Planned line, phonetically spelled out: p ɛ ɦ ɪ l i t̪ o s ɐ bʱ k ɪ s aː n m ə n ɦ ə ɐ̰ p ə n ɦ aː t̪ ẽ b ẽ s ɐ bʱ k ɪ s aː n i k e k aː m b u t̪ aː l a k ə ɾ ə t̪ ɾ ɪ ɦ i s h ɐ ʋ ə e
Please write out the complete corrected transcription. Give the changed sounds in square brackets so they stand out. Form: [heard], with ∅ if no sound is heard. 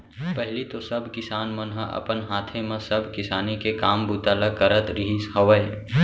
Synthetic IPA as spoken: p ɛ ɦ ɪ l i t̪ o s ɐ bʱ k ɪ s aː n m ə n ɦ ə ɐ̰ p ə n ɦ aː [t̪ʰ] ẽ [m] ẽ s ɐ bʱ k ɪ s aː n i k e k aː m b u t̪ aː l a k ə ɾ ə t̪ ɾ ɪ ɦ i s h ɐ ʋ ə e